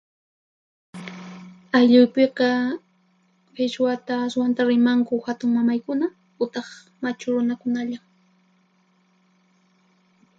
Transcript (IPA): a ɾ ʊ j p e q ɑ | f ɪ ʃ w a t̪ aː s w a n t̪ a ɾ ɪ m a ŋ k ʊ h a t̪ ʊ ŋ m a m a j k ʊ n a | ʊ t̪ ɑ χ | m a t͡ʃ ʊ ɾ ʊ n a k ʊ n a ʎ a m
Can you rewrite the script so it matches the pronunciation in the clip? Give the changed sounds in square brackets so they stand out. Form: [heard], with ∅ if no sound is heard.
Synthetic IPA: a [ʎ] ʊ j p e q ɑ | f ɪ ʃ w a t̪ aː s w a n t̪ a ɾ ɪ m a ŋ k ʊ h a t̪ ʊ ŋ m a m a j k ʊ n a | ʊ t̪ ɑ χ | m a t͡ʃ ʊ ɾ ʊ n a k ʊ n a ʎ a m